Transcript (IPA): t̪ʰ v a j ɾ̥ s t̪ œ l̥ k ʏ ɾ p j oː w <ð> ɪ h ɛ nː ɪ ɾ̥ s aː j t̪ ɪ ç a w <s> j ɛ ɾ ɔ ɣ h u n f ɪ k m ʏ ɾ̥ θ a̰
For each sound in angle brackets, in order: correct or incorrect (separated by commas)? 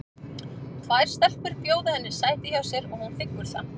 correct, correct